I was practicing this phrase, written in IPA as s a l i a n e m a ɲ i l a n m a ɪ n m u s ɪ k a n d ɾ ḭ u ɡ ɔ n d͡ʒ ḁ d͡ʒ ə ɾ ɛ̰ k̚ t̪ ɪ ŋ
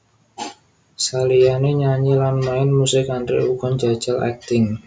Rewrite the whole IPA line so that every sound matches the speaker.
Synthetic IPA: s a l i a n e ɲ a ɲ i l a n m a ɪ n m u s ɪ k a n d ɾ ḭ u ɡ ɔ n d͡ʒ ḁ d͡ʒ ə l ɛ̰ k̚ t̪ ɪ ŋ

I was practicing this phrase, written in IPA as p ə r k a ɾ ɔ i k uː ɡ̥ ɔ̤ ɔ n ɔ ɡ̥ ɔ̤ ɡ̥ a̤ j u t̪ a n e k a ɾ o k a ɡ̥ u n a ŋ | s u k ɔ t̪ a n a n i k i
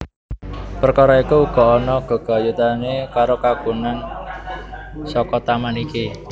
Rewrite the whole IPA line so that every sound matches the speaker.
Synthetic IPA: p ə r k a ɾ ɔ i k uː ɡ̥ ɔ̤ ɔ n ɔ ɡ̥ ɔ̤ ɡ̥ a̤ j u t̪ a n e k a ɾ o k a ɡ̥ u n a n | s ɔ k ɔ t̪ a m a n i k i

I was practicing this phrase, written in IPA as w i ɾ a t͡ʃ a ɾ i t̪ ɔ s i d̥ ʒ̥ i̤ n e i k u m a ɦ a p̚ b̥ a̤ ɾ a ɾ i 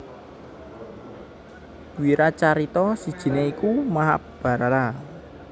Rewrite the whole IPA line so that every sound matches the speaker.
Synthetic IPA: w i ɾ a t͡ʃ a ɾ i t̪ ɔ s i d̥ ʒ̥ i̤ n e i k u m a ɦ a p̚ b̥ a̤ ɾ a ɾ a

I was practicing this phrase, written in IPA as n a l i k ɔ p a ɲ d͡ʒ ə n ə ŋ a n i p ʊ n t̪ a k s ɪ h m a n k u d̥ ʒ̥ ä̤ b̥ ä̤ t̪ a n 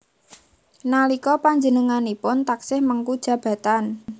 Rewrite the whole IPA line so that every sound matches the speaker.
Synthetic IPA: n a l i k ɔ p a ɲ d͡ʒ ə n ə ŋ a n i p ʊ n t̪ a k s ɪ h m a ŋ k u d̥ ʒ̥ ä̤ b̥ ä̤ t̪ a n

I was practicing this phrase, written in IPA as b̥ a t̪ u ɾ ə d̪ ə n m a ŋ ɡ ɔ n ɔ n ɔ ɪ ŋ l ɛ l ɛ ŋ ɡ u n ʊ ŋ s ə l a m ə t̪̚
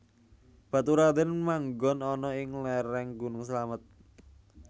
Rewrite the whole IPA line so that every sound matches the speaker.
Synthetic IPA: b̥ a t̪ u ɾ a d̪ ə n m a ŋ ɡ ɔ n ɔ n ɔ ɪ ŋ l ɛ ɾ ɛ ŋ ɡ u n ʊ ŋ s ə l a m ə t̪̚

